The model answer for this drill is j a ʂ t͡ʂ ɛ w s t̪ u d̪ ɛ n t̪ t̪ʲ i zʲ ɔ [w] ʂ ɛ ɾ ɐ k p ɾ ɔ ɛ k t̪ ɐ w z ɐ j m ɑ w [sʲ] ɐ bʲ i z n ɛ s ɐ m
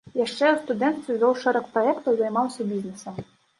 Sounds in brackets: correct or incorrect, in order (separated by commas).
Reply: correct, correct